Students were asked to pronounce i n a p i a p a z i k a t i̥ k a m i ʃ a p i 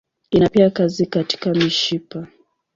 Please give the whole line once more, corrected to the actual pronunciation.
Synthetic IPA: i n a p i a k a z i k a t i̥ k a m i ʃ i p a